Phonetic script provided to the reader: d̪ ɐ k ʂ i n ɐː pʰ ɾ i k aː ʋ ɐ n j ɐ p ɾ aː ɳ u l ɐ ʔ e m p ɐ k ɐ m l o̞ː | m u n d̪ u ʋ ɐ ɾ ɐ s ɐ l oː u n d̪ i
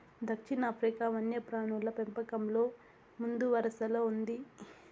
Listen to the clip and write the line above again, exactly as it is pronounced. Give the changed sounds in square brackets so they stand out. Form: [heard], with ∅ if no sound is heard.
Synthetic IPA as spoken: d̪ ɐ k ʂ i n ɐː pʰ ɾ i k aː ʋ ɐ n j ɐ p ɾ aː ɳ u l ɐ [p] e m p ɐ k ɐ m l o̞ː | m u n d̪ u ʋ ɐ ɾ ɐ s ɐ l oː u n d̪ i